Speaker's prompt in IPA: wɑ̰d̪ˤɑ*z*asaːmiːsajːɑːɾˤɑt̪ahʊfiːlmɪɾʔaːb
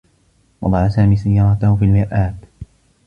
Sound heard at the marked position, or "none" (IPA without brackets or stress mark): ʕ